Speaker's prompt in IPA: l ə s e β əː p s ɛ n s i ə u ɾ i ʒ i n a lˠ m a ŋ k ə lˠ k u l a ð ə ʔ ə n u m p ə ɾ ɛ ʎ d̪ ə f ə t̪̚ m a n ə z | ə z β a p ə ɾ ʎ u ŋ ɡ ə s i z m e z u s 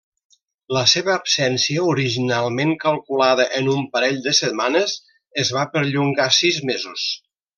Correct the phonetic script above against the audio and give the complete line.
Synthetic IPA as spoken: l ə s e β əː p s ɛ n s i ə u ɾ i ʒ i n a lˠ m e ŋ k ə lˠ k u l a ð ə ʔ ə n u m p ə ɾ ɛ ʎ d̪ ə s ə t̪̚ m a n ə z | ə z β a p ə ɾ ʎ u ŋ ɡ a s i z m e z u s

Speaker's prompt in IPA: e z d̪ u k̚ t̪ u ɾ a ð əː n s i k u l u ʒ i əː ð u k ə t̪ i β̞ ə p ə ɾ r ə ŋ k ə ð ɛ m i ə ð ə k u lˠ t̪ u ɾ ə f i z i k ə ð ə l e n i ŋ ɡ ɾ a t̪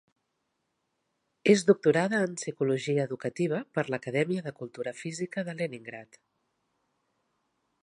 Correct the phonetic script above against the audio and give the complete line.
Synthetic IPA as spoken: e z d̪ u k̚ t̪ u ɾ a ð əː n s i k u l u ʒ i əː ð u k ə t̪ i β̞ ə p ə ɾ l ə k ə ð ɛ m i ə ð ə k u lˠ t̪ u ɾ ə f i z i k ə ð ə l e n i ŋ ɡ ɾ a t̪

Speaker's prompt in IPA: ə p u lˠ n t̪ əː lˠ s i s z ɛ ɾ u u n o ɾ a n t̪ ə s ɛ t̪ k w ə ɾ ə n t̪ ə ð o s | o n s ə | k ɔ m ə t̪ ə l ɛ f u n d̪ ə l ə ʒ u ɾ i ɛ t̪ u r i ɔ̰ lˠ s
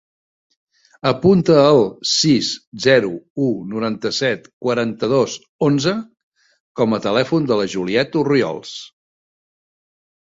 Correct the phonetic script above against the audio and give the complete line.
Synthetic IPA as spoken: ə p u n t̪ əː lˠ s i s z ɛ ɾ u u n u ɾ a n t̪ ə s ɛ t̪ k w ə ɾ a n t̪ ə ð o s | o n z ə | k ɔ m ə t̪ ə l ɛ f u n d̪ ə l ə ʒ u l i ɛ t̪ u r i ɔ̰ lˠ s

